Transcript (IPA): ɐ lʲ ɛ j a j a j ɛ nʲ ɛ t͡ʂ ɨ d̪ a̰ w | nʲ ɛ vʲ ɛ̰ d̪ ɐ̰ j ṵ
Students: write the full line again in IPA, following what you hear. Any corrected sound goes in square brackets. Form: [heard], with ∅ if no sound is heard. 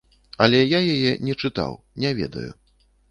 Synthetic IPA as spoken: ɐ lʲ ɛ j a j a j ɛ nʲ ɛ t͡ʂ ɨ [t̪] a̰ w | nʲ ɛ vʲ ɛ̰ d̪ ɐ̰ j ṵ

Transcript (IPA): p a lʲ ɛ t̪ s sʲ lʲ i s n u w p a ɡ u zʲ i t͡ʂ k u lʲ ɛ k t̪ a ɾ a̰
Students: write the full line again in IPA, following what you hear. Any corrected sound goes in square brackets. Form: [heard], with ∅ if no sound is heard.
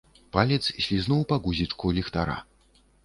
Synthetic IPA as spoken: p a lʲ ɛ t̪ s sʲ lʲ i [z] n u w p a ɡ u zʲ i t͡ʂ k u lʲ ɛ [x] t̪ a ɾ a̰

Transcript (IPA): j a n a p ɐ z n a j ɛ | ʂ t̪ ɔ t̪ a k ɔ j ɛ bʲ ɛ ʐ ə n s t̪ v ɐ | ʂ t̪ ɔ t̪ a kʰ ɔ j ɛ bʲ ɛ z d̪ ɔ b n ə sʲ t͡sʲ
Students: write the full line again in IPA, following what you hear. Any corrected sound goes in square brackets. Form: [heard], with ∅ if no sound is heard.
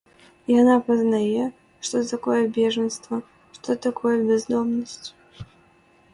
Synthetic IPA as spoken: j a n a p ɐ z n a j ɛ | ʂ t̪ ɔ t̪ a k ɔ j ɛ bʲ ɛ ʐ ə n s t̪ v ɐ | ʂ t̪ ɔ t̪ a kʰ ɔ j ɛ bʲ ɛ z d̪ ɔ [m] n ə sʲ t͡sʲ

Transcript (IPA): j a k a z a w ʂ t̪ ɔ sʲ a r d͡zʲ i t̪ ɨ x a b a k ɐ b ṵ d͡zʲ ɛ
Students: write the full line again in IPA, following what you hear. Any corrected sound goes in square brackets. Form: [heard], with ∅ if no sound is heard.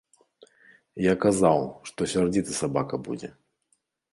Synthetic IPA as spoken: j a k a z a w ʂ t̪ ɔ sʲ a r d͡zʲ i t̪ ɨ [s] a b a k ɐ b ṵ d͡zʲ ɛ

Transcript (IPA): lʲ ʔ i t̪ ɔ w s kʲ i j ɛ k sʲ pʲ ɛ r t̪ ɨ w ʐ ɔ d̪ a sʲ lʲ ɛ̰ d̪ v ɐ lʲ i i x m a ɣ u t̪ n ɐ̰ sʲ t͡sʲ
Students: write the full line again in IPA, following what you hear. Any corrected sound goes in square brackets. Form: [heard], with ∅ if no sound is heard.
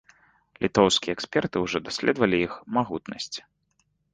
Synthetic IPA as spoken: lʲ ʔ i t̪ ɔ w s kʲ i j ɛ k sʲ pʲ ɛ r t̪ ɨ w ʐ ɔ d̪ a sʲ lʲ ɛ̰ d̪ v ɐ lʲ i i x m a ɣ u t̪ n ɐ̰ sʲ t͡sʲ

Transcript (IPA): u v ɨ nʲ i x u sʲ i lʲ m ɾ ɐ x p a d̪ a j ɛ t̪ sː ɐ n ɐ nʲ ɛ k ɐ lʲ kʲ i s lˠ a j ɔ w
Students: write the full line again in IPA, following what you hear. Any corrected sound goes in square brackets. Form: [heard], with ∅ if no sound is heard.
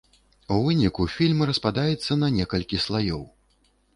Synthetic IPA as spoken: u v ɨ nʲ i [k] u [fʲ] i lʲ m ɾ ɐ [s] p a d̪ a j ɛ t̪ sː ɐ n ɐ nʲ ɛ k ɐ lʲ kʲ i s lˠ a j ɔ w

